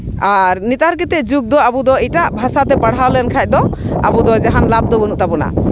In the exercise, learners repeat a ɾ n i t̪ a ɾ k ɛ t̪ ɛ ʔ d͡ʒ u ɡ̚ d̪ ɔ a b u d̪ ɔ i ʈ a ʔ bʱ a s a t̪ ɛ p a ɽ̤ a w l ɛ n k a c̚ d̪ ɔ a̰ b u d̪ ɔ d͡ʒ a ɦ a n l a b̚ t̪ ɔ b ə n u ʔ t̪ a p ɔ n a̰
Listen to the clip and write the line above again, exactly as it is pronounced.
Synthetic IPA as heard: a ɾ n i t̪ a ɾ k ɛ t̪ ɛ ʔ d͡ʒ u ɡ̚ d̪ ɔ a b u d̪ ɔ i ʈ a ʔ bʱ a s a t̪ ɛ p a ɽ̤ a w l ɛ n kʰ a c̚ d̪ ɔ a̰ b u d̪ ɔ d͡ʒ a ɦ a n l a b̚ d̪ ɔ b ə n u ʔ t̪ a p ɔ n a̰